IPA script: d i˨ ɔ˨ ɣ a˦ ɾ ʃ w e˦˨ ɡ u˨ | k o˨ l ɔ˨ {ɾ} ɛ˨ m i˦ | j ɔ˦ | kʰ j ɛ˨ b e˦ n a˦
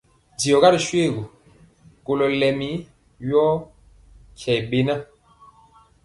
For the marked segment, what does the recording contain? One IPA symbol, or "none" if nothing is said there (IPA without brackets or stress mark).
l